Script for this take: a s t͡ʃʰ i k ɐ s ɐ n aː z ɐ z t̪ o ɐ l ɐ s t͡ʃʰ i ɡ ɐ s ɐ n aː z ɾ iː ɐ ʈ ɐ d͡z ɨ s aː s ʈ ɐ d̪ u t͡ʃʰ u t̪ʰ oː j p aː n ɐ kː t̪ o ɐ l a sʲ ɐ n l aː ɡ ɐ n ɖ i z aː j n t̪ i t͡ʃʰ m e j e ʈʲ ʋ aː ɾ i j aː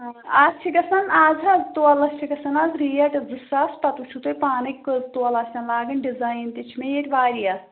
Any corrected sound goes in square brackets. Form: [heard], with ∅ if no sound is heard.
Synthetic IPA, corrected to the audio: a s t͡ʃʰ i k ɐ s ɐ n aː z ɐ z t̪ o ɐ l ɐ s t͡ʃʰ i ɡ ɐ s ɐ n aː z ɾ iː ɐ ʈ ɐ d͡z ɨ s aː s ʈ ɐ [t̪] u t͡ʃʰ u [t̪] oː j p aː n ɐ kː t̪ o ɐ l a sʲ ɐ n l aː ɡ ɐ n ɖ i z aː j n t̪ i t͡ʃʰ m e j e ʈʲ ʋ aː ɾ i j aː